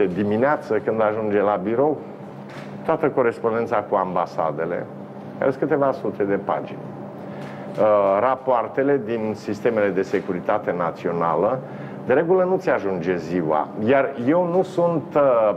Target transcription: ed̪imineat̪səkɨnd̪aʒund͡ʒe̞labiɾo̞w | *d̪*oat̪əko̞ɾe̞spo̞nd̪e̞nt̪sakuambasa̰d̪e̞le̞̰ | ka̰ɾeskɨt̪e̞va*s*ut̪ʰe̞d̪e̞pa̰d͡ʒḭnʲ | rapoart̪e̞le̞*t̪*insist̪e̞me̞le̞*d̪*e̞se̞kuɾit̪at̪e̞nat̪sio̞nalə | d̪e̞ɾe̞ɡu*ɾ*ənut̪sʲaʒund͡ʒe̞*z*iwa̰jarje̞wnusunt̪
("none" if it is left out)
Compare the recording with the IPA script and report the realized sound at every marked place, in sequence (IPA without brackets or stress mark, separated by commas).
t̪, s, d̪, d̪, l, z